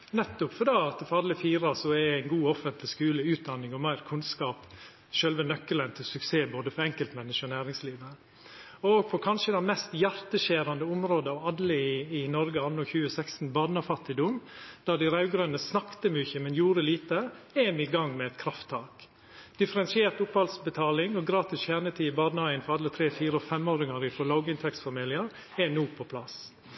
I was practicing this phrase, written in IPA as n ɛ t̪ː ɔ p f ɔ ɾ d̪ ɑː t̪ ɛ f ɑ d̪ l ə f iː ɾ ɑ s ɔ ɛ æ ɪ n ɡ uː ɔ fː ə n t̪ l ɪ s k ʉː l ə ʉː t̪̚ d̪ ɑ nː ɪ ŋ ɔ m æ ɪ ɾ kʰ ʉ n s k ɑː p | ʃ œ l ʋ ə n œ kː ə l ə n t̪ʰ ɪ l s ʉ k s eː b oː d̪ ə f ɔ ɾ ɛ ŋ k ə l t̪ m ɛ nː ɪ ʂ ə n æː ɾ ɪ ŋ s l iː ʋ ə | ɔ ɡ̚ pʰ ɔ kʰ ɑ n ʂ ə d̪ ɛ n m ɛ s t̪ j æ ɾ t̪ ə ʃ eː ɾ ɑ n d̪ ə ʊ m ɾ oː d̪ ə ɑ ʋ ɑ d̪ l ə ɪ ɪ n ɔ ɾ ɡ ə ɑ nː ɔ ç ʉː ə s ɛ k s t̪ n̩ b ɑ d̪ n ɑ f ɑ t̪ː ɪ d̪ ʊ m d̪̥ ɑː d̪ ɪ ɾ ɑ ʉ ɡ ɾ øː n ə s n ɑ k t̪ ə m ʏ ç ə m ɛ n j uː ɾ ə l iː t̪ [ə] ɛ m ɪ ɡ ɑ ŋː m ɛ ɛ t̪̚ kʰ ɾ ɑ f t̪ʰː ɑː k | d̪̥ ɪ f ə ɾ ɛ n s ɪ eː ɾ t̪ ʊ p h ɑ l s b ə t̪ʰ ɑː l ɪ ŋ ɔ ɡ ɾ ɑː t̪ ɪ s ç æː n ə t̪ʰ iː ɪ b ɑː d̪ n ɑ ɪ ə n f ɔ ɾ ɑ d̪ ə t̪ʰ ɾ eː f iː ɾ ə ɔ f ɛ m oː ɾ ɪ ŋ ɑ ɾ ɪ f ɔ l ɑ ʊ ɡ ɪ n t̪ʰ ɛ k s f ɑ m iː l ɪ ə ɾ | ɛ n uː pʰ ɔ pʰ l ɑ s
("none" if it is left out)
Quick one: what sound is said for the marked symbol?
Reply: ə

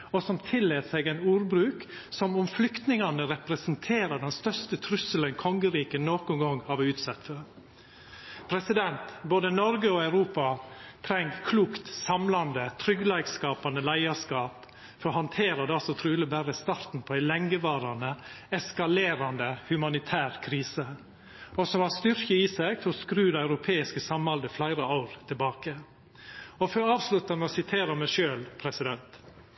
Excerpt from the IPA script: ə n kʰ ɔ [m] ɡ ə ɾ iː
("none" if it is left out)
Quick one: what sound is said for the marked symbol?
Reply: ŋ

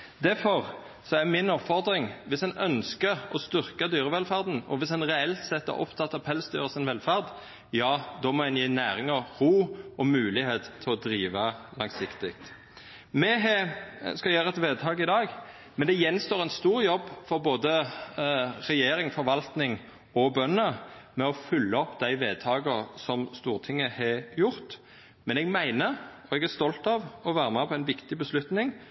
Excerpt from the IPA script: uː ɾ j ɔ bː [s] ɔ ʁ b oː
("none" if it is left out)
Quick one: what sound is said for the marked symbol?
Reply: f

